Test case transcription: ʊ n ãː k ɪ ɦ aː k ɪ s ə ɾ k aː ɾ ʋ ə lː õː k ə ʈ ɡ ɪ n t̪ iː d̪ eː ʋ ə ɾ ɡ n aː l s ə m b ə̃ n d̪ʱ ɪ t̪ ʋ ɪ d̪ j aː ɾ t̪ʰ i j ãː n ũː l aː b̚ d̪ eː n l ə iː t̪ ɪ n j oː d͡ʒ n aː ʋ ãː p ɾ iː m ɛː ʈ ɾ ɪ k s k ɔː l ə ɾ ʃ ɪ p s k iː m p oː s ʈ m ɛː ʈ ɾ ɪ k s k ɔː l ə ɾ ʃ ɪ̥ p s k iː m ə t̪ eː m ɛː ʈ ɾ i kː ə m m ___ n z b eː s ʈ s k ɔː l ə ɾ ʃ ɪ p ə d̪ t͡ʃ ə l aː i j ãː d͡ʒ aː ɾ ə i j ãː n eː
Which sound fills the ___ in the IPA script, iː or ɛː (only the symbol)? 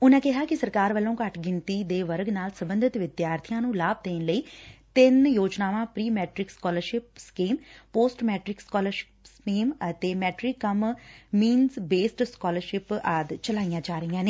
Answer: iː